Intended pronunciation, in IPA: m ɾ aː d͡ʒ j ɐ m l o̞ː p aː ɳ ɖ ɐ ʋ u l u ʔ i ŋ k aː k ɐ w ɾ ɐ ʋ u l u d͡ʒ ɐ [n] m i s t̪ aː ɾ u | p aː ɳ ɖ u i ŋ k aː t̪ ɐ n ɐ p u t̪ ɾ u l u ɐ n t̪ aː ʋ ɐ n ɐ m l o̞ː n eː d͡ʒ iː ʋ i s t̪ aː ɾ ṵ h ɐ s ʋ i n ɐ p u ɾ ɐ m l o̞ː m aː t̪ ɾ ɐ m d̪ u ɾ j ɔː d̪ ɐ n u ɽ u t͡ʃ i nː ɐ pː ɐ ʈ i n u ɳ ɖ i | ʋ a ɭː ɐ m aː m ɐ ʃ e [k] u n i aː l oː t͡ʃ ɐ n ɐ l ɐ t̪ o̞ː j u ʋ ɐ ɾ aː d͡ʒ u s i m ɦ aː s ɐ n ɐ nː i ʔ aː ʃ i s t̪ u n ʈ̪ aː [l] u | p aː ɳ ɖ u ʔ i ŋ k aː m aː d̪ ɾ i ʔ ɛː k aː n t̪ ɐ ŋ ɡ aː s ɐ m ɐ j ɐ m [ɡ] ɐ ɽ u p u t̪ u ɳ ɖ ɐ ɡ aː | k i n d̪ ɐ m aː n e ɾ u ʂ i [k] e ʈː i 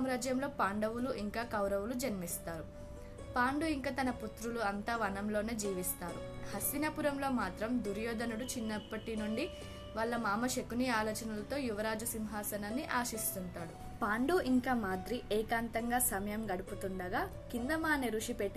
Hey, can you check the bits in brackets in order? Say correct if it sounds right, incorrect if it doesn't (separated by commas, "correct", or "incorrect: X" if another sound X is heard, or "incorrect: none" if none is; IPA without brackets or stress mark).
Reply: correct, correct, incorrect: ɽ, correct, incorrect: p